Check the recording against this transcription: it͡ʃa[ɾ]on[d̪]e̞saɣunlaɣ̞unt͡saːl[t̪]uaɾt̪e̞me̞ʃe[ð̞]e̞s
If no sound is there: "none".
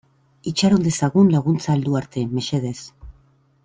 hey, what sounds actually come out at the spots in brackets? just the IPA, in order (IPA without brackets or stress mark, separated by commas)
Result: ɾ, d̪, d̪, ð̞